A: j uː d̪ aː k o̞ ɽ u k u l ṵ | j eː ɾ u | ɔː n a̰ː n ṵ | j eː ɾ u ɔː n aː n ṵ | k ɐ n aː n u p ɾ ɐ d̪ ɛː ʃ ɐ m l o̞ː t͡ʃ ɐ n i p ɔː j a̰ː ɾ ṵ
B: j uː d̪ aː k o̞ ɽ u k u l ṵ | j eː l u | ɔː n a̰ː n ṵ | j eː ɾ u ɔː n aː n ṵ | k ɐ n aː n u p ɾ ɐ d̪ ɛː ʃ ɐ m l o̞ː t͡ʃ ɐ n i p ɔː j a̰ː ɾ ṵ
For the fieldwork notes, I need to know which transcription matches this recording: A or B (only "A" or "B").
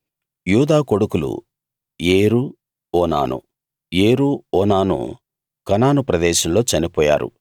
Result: A